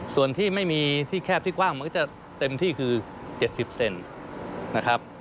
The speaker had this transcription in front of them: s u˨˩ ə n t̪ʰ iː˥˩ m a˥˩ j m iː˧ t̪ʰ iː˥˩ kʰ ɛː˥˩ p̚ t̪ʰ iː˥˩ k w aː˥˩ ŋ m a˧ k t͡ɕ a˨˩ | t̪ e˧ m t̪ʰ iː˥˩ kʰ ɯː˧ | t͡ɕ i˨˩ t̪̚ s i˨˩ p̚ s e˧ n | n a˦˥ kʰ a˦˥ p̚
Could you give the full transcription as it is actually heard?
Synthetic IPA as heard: s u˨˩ ə n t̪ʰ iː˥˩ m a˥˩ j m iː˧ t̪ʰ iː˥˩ kʰ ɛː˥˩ p̚ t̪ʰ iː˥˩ k w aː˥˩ ŋ m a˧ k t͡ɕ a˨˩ | t̪ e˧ m t̪ʰ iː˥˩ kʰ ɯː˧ | t͡ɕ e˨˩ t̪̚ s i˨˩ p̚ s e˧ n | n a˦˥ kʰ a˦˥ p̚